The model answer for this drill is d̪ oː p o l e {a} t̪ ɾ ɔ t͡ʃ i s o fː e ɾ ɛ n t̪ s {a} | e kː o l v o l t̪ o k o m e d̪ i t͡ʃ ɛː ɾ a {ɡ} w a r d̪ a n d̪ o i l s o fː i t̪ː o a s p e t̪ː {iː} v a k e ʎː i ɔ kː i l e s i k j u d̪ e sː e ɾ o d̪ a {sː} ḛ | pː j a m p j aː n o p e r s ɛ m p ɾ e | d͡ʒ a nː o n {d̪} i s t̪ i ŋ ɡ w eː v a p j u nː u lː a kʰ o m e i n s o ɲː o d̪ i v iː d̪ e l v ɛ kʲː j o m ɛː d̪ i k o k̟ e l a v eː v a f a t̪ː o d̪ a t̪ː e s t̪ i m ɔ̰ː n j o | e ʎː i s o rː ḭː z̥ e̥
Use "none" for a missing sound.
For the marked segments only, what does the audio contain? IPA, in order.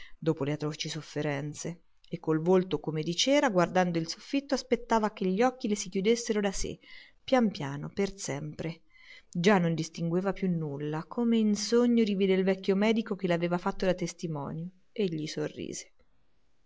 a, e, ɡ, aː, s, d̪

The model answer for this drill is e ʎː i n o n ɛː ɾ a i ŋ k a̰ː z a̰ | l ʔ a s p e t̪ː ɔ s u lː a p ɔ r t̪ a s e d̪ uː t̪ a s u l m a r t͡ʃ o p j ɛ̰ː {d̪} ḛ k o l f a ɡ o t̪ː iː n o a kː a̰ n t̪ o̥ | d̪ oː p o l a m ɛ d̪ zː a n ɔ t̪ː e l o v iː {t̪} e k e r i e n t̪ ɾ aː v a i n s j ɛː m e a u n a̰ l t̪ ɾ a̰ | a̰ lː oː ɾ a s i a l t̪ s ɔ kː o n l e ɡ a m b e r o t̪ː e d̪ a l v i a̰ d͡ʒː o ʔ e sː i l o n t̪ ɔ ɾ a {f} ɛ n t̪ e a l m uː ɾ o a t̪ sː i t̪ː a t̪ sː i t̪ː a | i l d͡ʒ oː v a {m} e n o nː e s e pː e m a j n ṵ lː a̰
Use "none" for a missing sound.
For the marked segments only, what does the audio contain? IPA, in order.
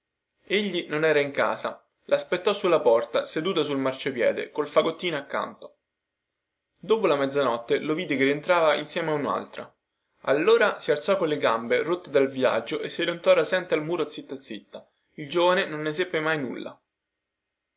d̪, d̪, s, n

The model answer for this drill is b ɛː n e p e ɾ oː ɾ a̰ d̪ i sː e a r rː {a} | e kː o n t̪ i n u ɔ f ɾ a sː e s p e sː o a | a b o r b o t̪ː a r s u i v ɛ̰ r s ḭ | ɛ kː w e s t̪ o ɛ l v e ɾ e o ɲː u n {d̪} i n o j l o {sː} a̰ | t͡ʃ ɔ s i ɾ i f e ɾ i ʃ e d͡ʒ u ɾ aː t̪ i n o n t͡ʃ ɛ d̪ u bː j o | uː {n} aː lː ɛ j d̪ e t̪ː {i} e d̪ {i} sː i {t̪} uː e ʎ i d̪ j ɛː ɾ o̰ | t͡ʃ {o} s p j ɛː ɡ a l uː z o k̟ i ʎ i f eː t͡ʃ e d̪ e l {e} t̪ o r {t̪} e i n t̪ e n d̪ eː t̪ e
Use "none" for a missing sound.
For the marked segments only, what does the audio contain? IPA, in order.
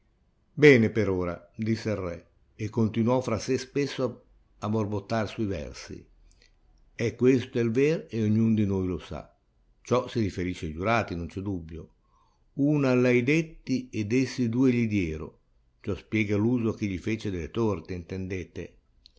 ɛ, d̪, s, n, i, e, d̪, ɔ, e, t̪

